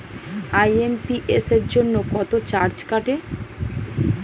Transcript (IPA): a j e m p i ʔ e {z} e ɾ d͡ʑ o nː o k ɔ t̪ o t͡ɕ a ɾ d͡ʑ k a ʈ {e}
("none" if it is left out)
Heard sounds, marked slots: s, e

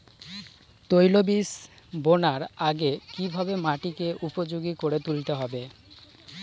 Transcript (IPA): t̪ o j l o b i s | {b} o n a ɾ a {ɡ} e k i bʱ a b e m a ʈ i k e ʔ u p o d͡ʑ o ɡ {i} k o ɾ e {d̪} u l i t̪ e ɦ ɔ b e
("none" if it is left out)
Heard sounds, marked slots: b, ɡ, i, t̪

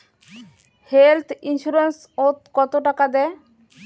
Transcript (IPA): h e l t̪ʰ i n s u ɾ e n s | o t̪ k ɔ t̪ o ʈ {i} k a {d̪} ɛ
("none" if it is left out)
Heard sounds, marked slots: a, d̪

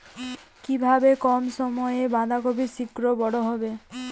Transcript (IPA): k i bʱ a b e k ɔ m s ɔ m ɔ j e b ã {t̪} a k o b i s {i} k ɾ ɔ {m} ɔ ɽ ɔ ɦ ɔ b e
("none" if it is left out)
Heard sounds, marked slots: d̪, i, b

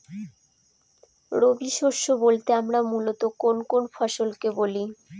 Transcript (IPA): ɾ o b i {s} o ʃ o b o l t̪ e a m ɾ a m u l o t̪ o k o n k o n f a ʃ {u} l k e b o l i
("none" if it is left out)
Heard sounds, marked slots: ʃ, o

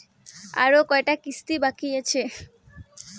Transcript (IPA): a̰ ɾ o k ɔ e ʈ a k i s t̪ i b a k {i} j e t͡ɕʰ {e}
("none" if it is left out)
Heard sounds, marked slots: i, e

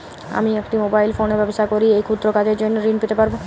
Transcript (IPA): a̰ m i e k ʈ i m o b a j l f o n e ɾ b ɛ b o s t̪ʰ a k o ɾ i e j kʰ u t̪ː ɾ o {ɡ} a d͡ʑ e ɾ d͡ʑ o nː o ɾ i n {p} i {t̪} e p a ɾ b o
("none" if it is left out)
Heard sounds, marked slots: k, p, t̪

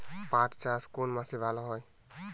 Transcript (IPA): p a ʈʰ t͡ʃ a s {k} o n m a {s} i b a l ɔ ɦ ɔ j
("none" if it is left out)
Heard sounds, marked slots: k, s

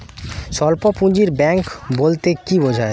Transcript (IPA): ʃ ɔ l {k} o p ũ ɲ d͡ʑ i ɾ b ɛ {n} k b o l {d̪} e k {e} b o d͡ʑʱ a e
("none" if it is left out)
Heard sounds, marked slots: p, ŋ, t̪, i

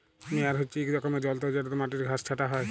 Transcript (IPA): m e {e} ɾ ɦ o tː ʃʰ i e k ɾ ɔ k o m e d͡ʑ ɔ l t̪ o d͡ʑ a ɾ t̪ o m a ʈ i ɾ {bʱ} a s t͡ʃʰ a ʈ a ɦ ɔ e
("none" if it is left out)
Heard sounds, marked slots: a, ɡʱ

